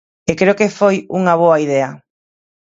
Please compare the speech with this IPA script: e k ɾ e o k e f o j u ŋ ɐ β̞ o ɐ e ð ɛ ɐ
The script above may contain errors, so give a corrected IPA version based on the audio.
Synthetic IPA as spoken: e k ɾ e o k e f o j u ŋ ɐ β̞ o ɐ i ð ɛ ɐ